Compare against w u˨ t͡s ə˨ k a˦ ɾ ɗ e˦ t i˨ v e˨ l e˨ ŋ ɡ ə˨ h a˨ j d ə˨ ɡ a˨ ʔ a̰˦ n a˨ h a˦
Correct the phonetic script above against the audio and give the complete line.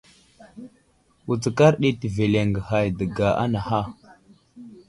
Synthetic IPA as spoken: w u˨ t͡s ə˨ k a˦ ɾ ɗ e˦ t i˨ v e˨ l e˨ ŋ ɡ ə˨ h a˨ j d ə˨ ɡ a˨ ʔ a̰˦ n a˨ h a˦